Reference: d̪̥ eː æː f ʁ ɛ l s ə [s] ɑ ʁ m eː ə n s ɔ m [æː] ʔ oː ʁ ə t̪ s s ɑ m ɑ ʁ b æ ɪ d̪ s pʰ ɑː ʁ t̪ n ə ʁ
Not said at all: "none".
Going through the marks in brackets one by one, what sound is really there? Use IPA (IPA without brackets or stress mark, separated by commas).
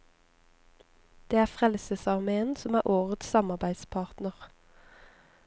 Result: s, æː